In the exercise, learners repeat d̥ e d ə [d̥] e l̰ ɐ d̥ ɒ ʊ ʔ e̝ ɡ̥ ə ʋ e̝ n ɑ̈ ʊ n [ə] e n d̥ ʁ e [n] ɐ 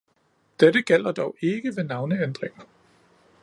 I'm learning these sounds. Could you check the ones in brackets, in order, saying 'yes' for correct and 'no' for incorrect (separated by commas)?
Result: no, yes, no